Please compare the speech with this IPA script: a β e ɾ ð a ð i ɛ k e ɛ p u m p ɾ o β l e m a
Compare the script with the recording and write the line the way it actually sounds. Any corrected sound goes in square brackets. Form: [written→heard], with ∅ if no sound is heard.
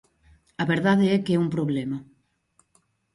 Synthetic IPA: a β e ɾ ð a ð [i→e] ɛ k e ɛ [p→∅] u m p ɾ o β l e m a